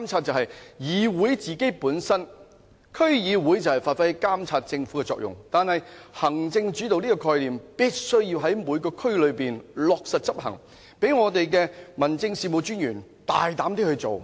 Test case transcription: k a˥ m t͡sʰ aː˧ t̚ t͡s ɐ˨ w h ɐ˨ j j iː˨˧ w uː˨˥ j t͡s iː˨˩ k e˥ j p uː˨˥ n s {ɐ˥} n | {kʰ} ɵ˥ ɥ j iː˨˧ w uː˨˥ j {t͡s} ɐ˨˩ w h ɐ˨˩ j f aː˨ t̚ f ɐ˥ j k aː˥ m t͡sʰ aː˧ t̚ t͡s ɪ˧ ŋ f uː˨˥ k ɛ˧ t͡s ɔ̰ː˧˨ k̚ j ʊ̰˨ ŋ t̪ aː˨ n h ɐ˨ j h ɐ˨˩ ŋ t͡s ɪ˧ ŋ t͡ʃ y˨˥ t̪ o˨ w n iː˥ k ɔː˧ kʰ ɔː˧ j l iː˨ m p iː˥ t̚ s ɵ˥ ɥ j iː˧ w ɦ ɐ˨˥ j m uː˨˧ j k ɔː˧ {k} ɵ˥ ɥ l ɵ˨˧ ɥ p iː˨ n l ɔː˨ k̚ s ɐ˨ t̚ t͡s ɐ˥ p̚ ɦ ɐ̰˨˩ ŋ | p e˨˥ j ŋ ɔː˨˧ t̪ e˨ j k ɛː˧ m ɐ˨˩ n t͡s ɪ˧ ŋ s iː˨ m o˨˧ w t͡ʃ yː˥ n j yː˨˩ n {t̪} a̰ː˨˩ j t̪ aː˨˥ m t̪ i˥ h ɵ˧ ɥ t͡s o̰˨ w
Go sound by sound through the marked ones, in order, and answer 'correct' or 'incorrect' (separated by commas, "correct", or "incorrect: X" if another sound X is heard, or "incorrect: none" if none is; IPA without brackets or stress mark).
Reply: correct, correct, correct, incorrect: kʰ, correct